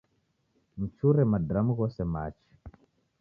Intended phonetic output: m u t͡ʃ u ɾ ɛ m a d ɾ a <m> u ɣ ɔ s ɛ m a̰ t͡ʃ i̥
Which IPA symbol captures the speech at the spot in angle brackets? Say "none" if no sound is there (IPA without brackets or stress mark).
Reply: m